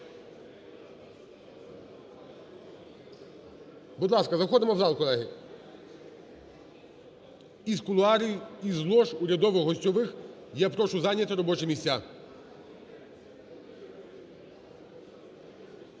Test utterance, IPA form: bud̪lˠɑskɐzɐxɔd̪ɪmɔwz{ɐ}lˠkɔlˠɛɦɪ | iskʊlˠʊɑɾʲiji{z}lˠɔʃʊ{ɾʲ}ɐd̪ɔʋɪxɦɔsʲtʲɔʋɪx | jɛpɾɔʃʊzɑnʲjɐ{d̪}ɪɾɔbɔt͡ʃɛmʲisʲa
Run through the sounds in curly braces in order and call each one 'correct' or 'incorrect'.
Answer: incorrect, correct, correct, incorrect

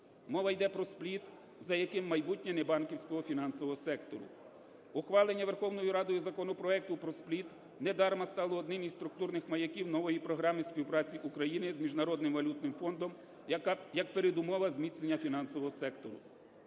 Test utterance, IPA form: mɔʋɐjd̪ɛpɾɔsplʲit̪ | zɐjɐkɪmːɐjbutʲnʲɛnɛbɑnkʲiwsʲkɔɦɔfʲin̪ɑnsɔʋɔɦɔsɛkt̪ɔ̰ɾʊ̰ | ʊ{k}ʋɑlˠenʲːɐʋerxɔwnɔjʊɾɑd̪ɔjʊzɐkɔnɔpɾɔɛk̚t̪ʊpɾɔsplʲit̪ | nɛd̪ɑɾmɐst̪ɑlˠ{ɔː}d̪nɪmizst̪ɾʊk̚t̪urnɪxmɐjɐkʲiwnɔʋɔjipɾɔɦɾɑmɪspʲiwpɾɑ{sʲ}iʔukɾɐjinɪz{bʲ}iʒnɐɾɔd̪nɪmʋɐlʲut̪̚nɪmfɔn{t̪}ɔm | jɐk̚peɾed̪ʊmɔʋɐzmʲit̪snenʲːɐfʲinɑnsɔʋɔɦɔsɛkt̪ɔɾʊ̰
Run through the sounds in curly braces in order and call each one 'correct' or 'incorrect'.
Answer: incorrect, correct, incorrect, incorrect, incorrect

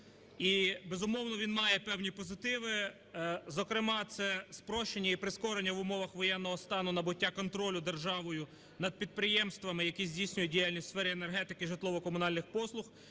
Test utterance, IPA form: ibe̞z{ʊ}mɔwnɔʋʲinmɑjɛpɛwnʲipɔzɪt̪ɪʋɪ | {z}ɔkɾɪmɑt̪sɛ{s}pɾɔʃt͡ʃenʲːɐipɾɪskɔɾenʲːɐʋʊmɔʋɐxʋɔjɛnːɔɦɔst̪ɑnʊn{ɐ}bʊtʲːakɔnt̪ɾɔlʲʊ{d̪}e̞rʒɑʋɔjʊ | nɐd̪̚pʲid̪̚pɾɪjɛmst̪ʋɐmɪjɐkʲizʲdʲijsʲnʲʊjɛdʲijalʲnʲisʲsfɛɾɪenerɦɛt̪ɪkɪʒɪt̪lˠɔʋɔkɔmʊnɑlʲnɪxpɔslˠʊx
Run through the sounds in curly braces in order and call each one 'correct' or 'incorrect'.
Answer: correct, correct, correct, correct, correct

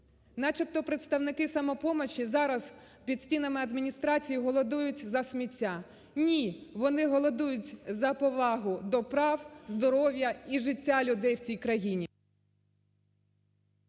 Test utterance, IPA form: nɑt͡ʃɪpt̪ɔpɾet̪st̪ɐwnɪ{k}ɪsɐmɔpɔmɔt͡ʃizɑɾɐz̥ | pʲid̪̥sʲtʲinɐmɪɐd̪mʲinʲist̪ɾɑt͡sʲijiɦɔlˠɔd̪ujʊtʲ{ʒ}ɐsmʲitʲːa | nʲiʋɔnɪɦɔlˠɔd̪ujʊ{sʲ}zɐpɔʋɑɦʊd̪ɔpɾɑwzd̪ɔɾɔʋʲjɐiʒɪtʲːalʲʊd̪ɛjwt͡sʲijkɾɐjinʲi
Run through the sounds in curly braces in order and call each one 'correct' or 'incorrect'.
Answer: correct, incorrect, incorrect

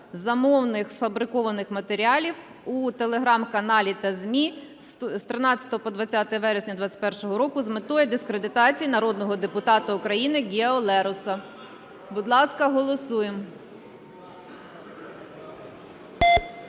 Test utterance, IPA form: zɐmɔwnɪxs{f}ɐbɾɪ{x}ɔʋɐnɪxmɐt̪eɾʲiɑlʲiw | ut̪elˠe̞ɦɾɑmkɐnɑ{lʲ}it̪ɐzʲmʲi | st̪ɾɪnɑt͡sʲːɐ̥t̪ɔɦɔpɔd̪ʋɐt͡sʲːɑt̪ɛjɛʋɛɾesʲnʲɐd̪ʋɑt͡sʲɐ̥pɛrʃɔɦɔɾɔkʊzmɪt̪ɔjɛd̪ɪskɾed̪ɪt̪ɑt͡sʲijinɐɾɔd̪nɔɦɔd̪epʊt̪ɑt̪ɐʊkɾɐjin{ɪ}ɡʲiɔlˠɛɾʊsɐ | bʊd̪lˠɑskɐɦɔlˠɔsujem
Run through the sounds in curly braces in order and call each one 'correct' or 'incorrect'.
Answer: correct, incorrect, correct, correct

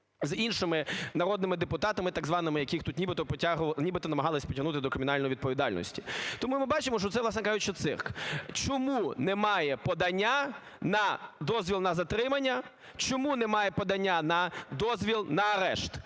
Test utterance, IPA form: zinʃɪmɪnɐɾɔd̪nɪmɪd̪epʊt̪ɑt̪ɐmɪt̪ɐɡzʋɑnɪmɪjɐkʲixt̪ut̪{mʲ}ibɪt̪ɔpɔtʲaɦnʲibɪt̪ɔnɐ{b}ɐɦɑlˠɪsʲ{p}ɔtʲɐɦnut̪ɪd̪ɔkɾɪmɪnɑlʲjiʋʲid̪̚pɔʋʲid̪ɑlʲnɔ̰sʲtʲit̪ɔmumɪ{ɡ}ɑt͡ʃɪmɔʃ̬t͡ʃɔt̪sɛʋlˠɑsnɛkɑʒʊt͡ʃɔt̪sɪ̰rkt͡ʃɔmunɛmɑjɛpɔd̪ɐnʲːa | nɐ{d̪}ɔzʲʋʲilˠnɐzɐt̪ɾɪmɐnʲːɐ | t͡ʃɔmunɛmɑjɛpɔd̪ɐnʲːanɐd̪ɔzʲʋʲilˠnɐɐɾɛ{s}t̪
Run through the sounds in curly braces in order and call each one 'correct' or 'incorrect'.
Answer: incorrect, incorrect, correct, incorrect, correct, incorrect

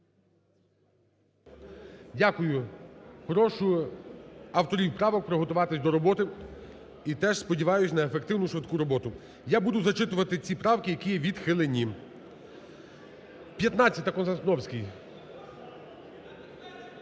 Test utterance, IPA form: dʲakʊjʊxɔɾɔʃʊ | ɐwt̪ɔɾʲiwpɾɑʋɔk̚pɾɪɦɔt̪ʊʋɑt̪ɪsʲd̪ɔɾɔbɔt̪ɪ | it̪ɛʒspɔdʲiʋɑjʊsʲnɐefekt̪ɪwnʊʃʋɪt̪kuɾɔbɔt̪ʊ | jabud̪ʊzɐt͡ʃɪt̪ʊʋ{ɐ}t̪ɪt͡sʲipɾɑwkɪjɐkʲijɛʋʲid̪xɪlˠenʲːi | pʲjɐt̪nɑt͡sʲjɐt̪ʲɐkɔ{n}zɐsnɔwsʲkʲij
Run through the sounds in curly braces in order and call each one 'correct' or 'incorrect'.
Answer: correct, correct

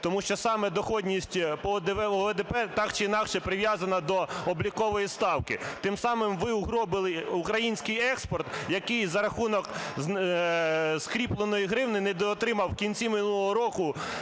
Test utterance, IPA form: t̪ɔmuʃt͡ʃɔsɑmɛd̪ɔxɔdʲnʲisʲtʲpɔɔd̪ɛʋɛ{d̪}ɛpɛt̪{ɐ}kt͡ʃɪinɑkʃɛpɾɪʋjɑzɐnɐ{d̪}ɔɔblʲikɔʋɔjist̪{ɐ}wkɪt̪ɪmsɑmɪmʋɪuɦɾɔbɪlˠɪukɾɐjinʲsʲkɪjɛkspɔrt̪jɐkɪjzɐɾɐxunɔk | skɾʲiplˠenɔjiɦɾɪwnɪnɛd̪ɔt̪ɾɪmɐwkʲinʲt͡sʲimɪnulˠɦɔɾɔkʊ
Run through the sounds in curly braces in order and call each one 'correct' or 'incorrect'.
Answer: correct, incorrect, correct, incorrect

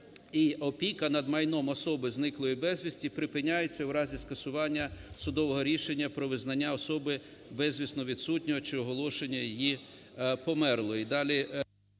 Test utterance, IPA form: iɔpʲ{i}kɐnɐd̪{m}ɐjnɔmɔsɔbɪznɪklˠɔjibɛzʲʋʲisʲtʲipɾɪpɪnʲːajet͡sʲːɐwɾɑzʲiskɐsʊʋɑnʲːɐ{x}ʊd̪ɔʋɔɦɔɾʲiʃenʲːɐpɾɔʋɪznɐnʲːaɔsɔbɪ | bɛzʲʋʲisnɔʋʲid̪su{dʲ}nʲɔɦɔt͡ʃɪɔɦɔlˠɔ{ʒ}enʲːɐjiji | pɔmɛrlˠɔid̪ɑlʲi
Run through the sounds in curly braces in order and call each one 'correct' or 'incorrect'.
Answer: correct, correct, incorrect, incorrect, incorrect

